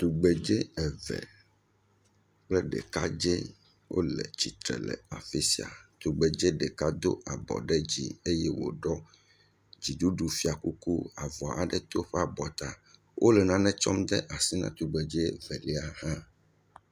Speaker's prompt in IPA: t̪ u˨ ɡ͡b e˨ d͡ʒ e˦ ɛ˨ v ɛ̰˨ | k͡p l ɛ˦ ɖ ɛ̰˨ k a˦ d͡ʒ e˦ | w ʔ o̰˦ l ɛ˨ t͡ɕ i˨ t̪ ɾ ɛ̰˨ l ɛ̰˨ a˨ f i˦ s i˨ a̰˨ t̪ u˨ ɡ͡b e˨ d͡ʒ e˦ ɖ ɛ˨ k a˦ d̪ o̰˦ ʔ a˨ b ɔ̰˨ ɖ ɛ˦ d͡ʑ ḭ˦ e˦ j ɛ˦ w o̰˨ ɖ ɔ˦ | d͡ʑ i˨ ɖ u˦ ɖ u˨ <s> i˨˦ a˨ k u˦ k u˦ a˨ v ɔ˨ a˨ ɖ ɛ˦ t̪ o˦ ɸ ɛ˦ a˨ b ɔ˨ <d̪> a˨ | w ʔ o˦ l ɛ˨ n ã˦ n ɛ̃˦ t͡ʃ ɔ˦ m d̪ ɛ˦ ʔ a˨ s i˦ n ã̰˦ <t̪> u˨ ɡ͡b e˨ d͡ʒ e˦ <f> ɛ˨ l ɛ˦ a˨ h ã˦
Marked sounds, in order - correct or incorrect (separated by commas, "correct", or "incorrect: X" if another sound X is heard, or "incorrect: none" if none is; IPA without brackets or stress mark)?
incorrect: f, incorrect: t̪, correct, incorrect: v